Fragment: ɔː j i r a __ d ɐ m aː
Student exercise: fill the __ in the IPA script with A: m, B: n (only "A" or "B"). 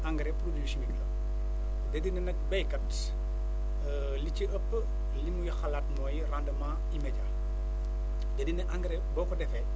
B